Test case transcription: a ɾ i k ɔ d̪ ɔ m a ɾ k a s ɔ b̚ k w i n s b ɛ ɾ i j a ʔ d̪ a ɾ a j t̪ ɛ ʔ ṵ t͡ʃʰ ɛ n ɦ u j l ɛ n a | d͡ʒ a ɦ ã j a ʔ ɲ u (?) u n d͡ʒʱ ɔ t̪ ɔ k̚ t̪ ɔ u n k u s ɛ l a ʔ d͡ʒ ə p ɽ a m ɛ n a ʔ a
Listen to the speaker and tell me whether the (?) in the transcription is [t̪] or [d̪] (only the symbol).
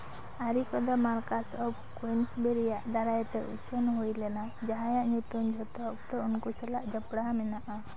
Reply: t̪